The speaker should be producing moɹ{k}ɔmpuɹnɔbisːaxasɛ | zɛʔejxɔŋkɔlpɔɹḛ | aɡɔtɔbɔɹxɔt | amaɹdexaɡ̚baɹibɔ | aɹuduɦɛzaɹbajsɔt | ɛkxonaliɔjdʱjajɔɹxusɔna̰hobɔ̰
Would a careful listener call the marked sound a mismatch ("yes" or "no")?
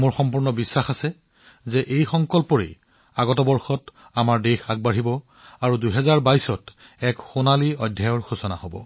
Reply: yes